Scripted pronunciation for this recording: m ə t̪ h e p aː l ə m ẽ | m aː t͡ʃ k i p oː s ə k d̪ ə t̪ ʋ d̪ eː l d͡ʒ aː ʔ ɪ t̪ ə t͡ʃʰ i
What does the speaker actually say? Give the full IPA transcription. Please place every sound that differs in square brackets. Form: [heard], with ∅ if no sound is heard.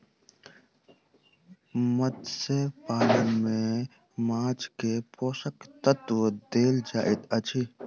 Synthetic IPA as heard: m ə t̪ [s] e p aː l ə m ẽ | m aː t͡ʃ k [e] p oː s ə k [t̪] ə t̪ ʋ d̪ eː l d͡ʒ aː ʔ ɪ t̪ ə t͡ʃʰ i